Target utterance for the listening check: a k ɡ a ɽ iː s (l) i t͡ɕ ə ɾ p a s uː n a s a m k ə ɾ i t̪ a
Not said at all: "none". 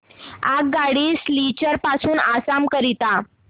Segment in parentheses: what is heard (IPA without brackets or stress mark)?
l